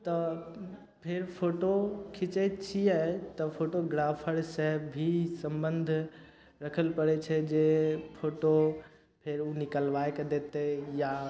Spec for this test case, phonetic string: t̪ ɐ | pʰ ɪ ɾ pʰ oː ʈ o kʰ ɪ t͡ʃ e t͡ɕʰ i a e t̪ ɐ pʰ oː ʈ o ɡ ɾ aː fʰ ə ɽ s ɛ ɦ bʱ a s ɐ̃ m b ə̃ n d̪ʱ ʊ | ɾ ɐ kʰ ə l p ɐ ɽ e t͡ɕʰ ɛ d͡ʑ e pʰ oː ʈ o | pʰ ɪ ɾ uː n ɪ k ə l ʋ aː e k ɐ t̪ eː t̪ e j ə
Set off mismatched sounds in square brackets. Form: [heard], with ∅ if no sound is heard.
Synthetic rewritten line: t̪ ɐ | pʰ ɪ ɾ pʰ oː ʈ o kʰ ɪ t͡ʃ e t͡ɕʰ i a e t̪ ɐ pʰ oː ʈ o ɡ ɾ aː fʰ ə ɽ s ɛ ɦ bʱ [i] s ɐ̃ m b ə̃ n d̪ʱ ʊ | ɾ ɐ kʰ ə l p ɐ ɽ e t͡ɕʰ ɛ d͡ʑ e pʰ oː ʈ o | pʰ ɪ ɾ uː n ɪ k ə l ʋ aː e k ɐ [d̪] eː t̪ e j [a]